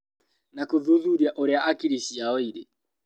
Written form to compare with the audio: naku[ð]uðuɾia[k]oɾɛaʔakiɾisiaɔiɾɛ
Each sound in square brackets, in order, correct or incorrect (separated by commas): correct, incorrect